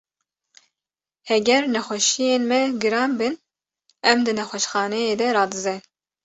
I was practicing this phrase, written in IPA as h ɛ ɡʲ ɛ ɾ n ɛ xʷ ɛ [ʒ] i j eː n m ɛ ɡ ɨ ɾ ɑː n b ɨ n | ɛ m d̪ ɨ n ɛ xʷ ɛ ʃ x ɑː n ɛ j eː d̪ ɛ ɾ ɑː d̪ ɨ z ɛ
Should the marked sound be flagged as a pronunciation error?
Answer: yes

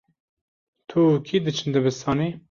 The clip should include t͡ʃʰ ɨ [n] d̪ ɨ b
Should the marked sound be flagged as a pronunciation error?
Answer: no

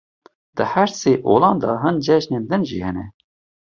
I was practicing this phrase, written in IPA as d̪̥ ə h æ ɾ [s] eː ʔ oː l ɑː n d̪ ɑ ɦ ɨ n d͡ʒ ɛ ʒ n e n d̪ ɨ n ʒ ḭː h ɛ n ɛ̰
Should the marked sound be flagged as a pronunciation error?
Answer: no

